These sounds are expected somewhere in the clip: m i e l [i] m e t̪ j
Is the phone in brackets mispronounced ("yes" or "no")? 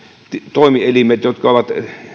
no